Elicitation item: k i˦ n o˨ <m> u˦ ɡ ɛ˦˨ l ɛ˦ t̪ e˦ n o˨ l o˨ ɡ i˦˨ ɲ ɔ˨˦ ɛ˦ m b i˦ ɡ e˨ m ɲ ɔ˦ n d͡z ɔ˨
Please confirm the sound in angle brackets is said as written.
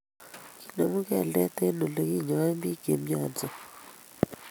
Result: yes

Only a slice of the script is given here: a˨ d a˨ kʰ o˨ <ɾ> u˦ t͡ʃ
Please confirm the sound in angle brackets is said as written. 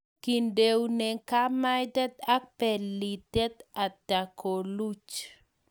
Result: no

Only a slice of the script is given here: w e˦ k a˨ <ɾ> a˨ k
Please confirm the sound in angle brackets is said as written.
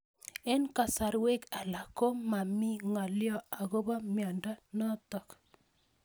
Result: no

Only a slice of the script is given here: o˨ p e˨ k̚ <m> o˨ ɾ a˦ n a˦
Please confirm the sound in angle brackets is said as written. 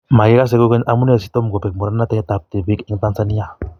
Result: yes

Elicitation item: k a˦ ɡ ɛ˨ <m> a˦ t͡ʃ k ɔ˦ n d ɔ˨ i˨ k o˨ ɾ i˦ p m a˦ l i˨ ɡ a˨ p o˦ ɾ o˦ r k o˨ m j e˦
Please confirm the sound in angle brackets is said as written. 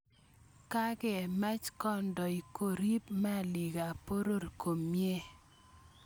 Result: yes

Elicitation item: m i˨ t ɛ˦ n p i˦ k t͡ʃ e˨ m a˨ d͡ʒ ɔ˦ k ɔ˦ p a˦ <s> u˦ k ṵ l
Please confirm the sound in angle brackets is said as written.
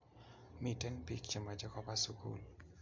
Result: yes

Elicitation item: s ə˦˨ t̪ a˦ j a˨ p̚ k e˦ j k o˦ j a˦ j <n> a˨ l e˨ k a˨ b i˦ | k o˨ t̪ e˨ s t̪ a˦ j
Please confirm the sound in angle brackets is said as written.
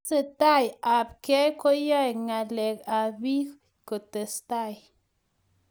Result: no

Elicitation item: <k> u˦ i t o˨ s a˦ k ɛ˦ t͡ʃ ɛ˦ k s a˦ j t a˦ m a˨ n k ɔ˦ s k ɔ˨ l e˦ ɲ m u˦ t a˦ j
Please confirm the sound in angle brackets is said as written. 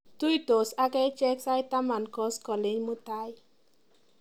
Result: no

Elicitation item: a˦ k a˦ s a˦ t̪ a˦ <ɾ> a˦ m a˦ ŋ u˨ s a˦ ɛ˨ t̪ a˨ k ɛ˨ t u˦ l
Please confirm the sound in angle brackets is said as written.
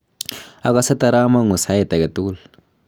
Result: yes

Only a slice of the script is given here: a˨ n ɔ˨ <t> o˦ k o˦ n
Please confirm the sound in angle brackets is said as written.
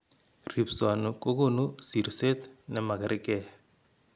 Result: no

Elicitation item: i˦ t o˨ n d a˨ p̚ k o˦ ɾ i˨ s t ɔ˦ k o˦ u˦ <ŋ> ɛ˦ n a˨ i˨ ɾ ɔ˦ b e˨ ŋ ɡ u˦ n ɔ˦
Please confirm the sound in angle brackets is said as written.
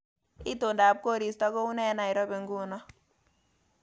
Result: no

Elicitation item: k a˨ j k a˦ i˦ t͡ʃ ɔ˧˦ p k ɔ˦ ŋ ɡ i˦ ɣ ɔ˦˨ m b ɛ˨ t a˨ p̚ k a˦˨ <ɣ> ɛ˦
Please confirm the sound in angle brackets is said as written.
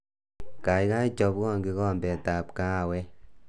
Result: no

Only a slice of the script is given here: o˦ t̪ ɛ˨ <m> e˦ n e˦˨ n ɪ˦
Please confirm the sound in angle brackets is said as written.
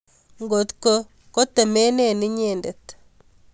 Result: yes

